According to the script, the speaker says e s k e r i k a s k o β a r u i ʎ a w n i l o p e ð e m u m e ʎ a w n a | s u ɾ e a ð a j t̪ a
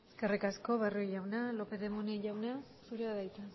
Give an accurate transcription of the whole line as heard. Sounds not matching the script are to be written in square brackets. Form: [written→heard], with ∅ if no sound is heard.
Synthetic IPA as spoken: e s k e r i k a s k o β a r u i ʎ a w n [i→a] l o p e ð e m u [m→n] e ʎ a w n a | s u ɾ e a ð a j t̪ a